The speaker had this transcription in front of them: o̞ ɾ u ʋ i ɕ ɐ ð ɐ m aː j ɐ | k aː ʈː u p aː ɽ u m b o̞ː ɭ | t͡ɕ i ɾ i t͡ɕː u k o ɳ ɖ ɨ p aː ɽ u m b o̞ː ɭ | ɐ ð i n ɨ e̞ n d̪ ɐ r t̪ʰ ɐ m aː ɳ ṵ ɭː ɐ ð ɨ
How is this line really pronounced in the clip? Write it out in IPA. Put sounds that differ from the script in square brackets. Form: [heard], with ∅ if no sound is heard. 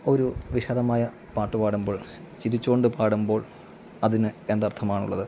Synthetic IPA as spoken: o̞ ɾ u ʋ i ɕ ɐ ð ɐ m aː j ɐ | [p] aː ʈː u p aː ɽ u m b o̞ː ɭ | t͡ɕ i ɾ i t͡ɕː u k o ɳ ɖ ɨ p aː ɽ u m b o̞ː ɭ | ɐ ð i n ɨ e̞ n d̪ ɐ r t̪ʰ ɐ m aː ɳ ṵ ɭː ɐ ð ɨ